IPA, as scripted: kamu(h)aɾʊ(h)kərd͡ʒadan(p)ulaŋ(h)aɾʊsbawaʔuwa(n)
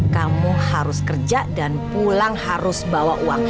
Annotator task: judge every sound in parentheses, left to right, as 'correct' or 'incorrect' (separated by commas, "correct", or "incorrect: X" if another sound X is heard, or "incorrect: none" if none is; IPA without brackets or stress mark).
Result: correct, incorrect: s, correct, correct, incorrect: ŋ